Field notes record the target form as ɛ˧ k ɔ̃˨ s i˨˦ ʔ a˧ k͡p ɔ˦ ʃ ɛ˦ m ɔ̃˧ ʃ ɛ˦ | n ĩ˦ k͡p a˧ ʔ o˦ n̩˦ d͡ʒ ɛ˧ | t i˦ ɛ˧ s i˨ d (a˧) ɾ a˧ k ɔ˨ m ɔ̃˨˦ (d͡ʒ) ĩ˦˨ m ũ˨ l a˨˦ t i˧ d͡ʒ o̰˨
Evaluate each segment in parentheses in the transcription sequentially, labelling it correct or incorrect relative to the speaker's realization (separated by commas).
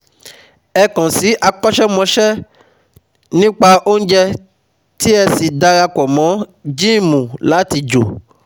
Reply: correct, correct